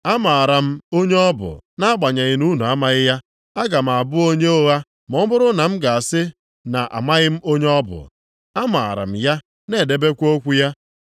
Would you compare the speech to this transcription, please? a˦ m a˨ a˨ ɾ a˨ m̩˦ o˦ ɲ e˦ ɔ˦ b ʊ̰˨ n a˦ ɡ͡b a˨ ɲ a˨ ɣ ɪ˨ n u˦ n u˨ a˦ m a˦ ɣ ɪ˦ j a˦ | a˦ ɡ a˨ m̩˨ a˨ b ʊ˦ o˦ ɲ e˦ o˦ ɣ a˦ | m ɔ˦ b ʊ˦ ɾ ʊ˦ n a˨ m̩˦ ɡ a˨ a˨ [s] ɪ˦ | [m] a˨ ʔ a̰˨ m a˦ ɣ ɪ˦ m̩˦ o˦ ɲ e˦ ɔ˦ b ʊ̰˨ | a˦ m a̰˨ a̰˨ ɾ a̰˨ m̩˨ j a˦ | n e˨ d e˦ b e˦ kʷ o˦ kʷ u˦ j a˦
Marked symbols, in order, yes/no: yes, no

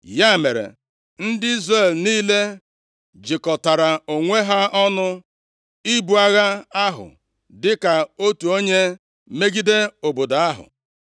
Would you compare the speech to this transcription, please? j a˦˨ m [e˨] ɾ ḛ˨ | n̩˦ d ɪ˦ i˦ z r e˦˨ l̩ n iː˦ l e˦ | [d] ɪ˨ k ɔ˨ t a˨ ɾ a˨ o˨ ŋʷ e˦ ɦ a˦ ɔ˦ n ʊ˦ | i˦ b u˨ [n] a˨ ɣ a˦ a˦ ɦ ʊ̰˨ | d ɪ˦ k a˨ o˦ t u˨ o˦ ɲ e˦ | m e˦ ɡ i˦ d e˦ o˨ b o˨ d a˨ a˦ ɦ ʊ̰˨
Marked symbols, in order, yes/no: yes, no, no

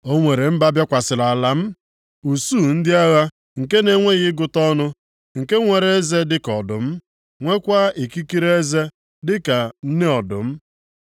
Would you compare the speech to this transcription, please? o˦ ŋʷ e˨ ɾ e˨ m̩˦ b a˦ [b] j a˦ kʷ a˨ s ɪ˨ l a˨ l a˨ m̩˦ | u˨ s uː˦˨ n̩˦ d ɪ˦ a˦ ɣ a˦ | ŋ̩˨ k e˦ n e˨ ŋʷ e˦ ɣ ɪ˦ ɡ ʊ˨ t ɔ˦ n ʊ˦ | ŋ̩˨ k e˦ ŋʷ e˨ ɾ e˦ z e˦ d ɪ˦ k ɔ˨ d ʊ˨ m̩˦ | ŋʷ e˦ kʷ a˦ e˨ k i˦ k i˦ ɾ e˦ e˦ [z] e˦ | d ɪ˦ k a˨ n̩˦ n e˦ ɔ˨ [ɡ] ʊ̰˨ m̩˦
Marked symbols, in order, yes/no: yes, yes, no

